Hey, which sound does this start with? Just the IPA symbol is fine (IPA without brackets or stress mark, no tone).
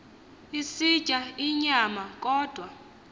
i